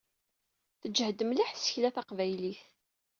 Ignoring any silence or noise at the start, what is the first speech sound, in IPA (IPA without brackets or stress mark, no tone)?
θ